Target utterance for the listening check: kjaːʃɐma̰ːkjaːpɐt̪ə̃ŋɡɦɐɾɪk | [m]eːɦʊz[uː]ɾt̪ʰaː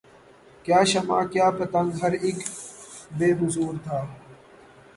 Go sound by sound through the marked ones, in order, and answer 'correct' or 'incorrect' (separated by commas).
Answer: incorrect, correct